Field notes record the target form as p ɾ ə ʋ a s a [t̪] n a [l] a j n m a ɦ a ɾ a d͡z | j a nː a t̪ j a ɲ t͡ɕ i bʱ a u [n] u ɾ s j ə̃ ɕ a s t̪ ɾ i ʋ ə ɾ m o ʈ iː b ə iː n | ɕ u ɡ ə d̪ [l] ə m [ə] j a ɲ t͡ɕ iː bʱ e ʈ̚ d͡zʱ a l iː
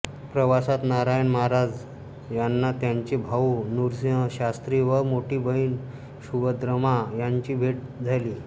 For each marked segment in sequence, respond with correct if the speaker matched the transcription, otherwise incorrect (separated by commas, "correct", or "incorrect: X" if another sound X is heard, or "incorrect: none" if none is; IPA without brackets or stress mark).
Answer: correct, incorrect: ɾ, correct, incorrect: ɾ, incorrect: a